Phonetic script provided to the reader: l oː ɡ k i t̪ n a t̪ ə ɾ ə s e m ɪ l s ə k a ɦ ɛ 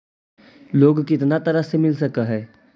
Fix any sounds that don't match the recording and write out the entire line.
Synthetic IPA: l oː ɡ k ɪ t̪ n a t̪ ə ɾ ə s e m ɪ l s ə k a ɦ ɛː